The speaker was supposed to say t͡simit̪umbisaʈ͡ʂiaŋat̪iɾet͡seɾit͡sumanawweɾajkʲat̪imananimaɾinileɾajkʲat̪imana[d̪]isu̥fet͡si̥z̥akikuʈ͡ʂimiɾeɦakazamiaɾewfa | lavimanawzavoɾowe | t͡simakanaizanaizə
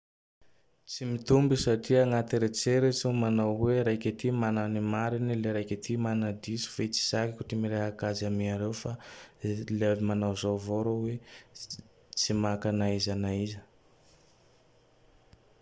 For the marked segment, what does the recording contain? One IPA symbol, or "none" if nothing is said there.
d̪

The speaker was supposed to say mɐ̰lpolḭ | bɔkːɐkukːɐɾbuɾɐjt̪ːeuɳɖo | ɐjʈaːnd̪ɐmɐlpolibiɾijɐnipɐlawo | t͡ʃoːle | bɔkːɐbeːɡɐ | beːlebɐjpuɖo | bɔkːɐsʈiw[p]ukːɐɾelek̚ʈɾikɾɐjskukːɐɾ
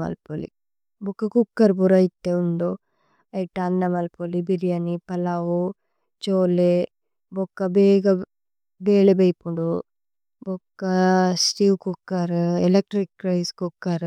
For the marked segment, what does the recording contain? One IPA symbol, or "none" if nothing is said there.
k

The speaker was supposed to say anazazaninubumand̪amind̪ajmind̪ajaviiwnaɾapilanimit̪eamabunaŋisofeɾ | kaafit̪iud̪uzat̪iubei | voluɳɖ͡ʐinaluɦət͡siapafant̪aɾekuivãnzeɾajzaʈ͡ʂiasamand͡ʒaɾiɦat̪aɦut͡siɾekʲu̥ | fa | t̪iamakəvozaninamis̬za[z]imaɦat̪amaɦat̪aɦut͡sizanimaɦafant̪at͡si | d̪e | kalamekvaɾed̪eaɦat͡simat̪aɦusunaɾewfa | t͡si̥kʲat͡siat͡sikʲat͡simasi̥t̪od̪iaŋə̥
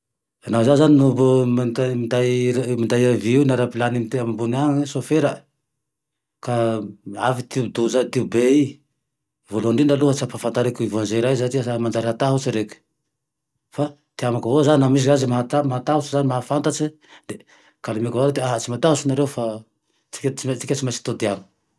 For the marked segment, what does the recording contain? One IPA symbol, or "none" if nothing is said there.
z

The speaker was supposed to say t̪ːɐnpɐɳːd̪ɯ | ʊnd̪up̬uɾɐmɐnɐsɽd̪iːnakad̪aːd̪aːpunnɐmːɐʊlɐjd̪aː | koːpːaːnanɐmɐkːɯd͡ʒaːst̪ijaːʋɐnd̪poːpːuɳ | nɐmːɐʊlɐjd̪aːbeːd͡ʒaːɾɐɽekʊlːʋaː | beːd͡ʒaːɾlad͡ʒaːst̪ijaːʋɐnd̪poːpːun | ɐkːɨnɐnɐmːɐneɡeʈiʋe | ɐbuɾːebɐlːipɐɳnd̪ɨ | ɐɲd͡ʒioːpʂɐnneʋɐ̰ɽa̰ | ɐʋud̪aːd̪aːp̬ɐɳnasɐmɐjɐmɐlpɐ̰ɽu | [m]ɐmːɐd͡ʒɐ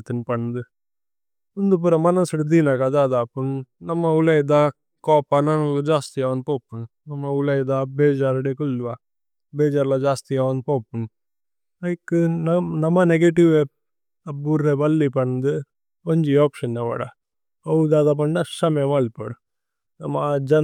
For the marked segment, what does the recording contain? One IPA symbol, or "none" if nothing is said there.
n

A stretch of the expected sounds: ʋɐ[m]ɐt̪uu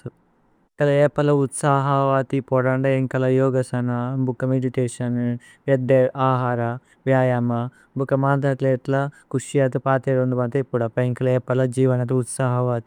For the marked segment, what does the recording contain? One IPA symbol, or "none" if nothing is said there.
n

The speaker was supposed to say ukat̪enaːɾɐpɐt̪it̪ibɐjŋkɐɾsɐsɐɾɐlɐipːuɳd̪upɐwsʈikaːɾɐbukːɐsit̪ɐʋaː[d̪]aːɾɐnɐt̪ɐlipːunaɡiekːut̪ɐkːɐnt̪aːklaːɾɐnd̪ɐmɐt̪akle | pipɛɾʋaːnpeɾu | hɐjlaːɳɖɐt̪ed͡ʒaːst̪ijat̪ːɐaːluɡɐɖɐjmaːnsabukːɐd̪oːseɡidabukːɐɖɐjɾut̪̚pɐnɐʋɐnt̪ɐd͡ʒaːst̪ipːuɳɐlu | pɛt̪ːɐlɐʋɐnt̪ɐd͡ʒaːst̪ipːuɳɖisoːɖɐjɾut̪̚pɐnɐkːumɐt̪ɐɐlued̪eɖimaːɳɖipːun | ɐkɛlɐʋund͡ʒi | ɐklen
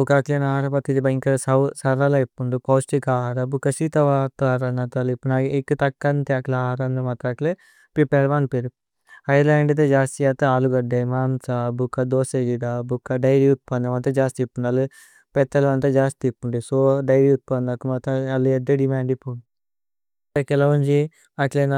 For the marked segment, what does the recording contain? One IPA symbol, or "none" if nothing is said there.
t̪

